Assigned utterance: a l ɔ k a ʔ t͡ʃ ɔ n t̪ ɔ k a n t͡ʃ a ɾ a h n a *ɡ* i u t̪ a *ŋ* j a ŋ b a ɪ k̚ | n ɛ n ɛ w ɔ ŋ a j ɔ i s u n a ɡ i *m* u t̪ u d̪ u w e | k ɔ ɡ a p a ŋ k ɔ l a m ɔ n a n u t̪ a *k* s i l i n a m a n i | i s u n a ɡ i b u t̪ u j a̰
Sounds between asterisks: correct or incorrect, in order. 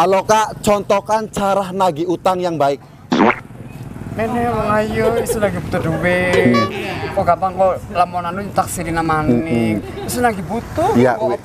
correct, correct, incorrect: b, correct

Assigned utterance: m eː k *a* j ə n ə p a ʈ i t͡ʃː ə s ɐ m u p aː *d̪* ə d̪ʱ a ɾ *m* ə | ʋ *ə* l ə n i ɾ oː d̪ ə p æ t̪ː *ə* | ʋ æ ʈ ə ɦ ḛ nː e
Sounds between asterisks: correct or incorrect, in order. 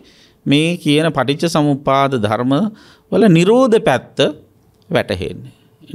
incorrect: i, correct, correct, correct, correct

